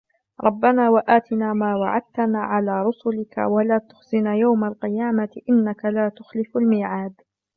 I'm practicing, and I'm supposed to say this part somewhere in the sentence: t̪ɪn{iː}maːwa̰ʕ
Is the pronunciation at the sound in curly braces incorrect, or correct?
incorrect